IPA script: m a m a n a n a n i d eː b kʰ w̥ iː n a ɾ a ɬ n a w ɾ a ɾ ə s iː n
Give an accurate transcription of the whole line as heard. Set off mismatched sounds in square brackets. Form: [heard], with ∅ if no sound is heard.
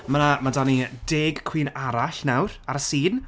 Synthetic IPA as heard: m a [n] a [m] a [d] a n i d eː [ɡ] kʰ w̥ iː n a ɾ a ɬ n a w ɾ a ɾ ə s iː n